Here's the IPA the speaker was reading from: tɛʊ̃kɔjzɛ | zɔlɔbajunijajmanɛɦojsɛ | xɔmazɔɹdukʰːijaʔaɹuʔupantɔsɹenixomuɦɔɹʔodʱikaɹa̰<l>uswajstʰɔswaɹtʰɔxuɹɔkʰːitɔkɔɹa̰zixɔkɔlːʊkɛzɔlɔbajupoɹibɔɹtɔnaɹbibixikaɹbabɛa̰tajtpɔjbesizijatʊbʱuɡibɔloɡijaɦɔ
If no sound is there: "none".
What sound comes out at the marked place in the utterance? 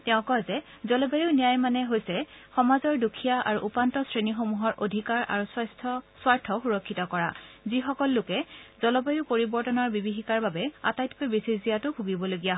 ɹ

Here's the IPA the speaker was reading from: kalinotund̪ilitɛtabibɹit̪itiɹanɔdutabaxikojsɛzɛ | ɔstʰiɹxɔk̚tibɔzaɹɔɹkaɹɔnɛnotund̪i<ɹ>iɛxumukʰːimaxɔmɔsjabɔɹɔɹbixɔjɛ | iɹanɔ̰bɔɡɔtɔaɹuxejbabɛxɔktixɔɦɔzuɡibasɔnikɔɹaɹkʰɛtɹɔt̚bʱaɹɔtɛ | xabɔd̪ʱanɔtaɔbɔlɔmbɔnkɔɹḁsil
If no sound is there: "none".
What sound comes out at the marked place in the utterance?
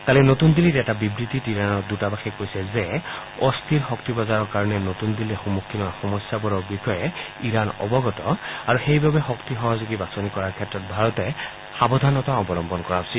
l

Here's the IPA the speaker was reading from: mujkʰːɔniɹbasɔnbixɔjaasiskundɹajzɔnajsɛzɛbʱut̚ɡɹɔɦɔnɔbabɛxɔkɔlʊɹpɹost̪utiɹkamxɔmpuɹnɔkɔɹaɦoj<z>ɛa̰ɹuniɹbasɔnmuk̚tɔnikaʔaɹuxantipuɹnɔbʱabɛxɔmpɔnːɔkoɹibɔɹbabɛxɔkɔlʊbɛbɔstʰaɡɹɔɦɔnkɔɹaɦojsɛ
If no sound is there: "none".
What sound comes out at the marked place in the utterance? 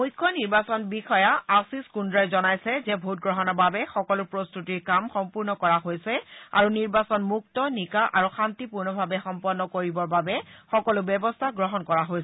s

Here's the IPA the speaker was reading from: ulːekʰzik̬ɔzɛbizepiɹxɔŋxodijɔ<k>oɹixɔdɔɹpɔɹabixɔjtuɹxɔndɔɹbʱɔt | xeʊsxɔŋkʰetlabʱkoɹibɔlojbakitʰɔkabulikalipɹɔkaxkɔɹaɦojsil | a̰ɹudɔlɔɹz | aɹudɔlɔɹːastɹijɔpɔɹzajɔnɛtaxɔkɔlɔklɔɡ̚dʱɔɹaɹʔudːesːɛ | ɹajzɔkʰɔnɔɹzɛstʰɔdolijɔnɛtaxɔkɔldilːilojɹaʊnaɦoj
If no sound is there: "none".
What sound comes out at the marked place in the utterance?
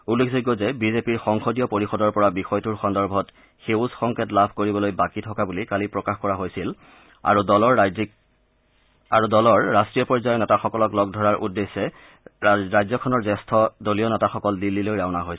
p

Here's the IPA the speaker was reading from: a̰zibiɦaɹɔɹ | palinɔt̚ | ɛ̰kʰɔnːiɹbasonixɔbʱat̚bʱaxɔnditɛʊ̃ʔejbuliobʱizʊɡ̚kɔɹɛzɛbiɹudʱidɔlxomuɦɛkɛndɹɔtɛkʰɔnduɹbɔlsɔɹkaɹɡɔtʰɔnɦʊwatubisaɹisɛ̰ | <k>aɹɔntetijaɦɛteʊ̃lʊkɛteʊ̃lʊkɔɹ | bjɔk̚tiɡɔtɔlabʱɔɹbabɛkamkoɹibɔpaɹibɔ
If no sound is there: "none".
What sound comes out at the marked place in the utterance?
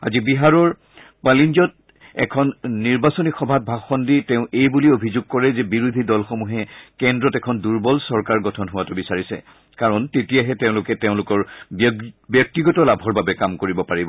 k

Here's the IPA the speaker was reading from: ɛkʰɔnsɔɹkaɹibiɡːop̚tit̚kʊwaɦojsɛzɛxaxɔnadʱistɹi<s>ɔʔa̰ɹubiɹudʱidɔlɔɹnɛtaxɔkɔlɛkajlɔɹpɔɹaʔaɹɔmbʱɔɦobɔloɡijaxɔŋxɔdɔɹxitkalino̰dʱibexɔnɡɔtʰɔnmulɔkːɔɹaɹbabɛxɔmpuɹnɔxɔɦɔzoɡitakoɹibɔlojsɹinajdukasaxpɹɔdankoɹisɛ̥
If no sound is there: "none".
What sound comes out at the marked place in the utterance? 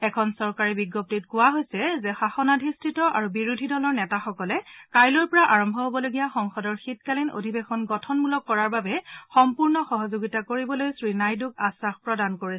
t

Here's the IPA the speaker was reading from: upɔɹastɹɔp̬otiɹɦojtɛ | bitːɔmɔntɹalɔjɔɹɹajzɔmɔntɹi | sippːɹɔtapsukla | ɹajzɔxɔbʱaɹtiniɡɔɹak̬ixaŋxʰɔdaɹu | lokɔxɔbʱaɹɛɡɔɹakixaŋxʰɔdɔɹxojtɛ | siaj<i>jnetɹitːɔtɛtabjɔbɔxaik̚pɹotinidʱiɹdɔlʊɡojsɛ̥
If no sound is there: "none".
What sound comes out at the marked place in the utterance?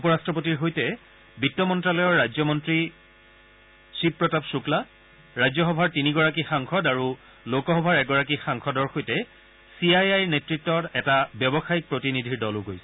a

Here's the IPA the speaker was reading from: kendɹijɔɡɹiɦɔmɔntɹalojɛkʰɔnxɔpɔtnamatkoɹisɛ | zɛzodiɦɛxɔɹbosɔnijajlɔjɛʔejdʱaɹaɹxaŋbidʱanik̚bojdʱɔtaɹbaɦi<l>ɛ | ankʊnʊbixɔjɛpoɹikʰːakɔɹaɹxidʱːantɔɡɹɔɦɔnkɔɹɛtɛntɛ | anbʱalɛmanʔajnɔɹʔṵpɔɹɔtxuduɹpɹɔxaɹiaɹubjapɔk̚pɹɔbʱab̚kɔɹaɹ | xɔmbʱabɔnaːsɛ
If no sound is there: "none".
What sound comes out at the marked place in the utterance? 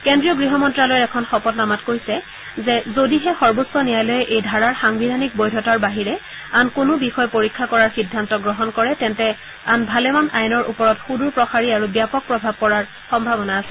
ɹ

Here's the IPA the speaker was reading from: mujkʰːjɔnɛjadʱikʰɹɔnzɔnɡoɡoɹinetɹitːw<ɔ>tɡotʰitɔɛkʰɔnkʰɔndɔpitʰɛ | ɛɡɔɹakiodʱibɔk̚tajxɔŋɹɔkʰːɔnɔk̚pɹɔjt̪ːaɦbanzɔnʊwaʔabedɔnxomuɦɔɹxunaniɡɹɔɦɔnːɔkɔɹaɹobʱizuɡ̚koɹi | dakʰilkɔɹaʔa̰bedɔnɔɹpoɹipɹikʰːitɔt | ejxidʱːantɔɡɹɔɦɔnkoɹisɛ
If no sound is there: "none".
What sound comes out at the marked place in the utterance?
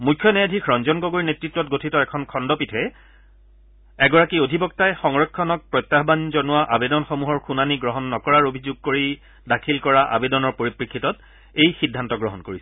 ɔ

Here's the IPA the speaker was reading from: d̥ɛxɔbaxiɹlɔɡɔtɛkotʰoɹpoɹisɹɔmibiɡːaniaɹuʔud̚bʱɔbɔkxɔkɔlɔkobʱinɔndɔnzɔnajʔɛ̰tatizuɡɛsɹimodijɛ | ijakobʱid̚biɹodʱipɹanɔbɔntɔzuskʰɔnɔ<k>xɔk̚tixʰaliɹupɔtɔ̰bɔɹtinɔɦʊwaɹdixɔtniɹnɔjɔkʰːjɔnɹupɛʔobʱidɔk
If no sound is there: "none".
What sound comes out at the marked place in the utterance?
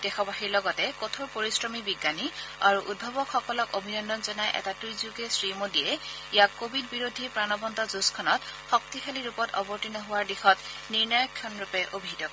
t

